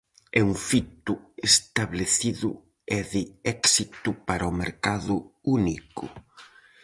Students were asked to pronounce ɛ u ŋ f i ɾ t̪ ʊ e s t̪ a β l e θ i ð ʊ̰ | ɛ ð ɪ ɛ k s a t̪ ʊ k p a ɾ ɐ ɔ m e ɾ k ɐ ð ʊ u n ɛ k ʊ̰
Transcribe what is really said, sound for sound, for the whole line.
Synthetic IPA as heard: ɛ u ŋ f i t̪ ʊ e s t̪ a β l e θ i ð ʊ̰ | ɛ ð ɪ ɛ k s i t̪ ʊ p a ɾ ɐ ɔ m e ɾ k a ð ʊ u n i k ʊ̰

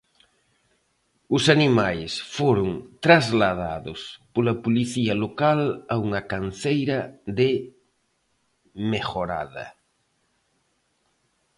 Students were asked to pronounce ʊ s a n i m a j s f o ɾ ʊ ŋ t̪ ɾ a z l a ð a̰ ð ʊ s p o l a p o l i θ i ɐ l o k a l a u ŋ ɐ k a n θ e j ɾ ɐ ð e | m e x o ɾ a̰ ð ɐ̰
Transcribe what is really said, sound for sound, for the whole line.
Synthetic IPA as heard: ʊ s a n i m a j s f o ɾ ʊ ŋ t̪ ɾ a z l a ð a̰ ð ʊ s p o l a p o l i θ i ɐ l o k a l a u ŋ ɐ k a n θ e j ɾ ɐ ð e | m e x o ɾ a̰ ð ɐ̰

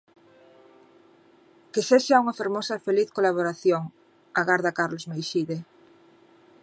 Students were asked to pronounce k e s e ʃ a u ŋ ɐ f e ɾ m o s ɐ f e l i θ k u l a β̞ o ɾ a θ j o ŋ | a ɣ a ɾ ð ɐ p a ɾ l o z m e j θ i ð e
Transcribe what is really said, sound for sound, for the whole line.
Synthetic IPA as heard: k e s e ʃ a u ŋ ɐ f e ɾ m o s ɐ f e l i θ k o l a β̞ o ɾ a θ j o ŋ | a ɣ a ɾ ð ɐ k a ɾ l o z m e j ʃ i ð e

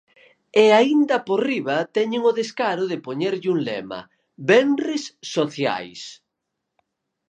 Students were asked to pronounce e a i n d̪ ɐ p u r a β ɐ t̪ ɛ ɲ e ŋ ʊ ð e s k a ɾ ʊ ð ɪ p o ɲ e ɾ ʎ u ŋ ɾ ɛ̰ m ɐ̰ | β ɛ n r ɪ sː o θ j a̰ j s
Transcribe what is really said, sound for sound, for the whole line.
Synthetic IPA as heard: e a i n d̪ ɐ p o r i β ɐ t̪ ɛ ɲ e ŋ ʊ ð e s k a ɾ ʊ ð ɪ p o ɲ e ɾ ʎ u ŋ l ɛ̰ m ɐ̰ | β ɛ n r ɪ sː o θ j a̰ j s

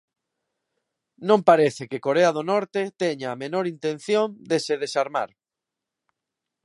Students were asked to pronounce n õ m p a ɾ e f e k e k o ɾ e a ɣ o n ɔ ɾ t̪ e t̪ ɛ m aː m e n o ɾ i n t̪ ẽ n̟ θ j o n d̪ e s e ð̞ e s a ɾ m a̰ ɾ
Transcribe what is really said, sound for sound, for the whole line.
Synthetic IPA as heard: n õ m p a ɾ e θ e k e k o ɾ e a ð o n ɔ ɾ t̪ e t̪ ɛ ɲ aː m e n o ɾ i n t̪ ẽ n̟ θ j o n d̪ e s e ð̞ e s a ɾ m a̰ ɾ

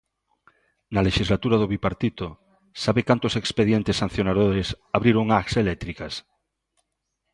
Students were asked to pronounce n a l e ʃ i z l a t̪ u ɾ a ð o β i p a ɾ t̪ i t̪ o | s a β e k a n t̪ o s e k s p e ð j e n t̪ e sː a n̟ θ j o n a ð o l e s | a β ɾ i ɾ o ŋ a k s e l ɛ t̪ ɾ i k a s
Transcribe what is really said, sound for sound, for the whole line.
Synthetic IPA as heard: n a l e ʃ i z l a t̪ u ɾ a ð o β i p a ɾ t̪ i t̪ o | s a β e k a n t̪ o s e k s p e ð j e n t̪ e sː a n̟ θ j o n a ð o ɾ e s | a β ɾ i ɾ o ŋ a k s e l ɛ t̪ ɾ i k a s

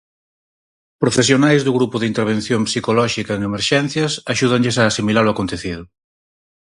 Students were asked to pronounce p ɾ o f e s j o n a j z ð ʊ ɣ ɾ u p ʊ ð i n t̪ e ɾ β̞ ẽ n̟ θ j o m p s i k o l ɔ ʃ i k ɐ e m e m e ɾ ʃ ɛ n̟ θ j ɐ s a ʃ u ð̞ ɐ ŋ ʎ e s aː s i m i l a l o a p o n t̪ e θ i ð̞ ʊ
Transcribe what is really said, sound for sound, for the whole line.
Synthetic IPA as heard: p ɾ o f e s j o n a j z ð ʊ ɣ ɾ u p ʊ ð i n t̪ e ɾ β̞ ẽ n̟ θ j o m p s i k o l ɔ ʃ i k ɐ e ŋ e m e ɾ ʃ ɛ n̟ θ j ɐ s a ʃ u ð̞ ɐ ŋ ʎ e s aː s i m i l a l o a k o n t̪ e θ i ð̞ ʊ

